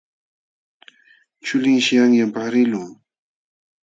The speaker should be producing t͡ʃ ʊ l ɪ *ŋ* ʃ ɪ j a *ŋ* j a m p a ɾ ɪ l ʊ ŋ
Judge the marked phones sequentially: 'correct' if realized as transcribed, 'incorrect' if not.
correct, correct

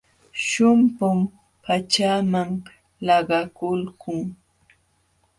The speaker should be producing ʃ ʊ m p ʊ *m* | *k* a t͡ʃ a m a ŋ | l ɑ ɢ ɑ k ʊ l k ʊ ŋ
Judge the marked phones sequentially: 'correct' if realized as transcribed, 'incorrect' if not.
correct, incorrect: p

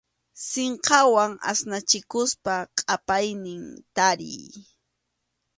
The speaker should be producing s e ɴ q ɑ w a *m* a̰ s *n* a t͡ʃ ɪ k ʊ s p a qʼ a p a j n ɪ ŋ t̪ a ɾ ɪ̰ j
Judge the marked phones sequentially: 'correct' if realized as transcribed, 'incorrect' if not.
incorrect: ŋ, correct

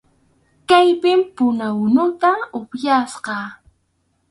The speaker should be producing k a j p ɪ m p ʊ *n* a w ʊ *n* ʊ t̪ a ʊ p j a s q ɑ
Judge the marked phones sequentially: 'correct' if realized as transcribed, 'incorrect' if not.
correct, correct

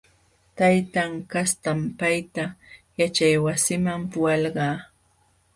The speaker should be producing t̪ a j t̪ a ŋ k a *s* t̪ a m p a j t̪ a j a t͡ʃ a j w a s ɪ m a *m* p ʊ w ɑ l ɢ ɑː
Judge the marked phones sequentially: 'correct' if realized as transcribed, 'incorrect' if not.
correct, correct

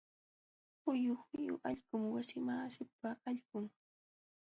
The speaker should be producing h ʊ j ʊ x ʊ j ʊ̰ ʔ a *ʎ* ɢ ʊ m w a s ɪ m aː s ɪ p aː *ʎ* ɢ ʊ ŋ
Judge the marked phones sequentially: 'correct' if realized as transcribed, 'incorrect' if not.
correct, correct

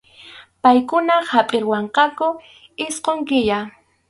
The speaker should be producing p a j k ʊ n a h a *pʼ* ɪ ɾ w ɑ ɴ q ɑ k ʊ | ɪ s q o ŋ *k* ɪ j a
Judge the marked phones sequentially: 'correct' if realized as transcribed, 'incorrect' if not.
correct, correct

